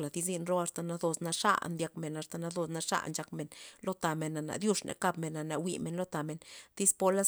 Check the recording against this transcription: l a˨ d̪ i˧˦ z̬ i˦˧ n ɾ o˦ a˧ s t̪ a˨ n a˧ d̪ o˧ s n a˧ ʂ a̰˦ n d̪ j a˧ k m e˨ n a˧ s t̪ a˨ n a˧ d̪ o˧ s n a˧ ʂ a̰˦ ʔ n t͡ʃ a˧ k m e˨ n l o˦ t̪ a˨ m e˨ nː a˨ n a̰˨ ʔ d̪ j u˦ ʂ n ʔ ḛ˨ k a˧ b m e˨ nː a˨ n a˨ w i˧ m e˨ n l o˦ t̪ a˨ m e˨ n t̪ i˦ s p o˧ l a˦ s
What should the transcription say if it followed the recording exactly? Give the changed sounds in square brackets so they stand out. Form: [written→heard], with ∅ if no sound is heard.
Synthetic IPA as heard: l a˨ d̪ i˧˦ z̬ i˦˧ n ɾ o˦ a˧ s t̪ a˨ n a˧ d̪ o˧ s n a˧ ʂ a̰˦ n d̪ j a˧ k m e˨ n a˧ s t̪ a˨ n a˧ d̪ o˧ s n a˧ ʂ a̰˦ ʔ n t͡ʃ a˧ k m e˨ n l o˦ t̪ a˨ m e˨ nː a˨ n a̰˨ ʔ d̪ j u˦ ʂ n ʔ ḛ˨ k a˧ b m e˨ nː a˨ n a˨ w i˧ m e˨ n l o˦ t̪ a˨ m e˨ n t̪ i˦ s p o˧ l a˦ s